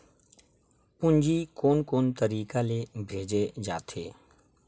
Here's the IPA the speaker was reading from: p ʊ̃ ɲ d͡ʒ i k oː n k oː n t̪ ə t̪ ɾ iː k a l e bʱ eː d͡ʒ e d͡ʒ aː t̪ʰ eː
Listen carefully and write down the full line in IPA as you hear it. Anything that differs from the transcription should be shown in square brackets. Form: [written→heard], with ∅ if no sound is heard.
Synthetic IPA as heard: p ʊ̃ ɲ d͡ʒ i k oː n k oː n t̪ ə [t̪→∅] ɾ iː k a l e bʱ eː d͡ʒ e d͡ʒ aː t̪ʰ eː